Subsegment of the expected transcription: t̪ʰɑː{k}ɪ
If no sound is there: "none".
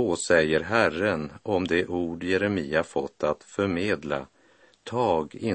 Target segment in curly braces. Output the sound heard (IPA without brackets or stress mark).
ɡ